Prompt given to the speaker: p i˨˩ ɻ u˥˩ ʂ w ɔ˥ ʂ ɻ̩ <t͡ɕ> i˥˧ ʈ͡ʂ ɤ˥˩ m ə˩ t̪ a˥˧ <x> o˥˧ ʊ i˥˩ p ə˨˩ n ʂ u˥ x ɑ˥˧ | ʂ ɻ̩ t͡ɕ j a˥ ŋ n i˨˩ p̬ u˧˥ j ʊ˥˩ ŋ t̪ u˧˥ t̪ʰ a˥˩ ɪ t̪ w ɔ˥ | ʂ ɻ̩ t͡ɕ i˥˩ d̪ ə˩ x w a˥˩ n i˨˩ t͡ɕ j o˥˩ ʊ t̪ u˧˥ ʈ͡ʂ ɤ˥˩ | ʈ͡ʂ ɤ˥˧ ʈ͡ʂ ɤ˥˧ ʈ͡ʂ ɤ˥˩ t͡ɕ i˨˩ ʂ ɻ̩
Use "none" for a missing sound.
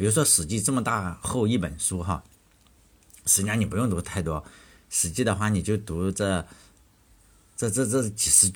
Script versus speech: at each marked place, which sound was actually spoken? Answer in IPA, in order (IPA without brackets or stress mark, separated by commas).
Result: t͡ɕ, x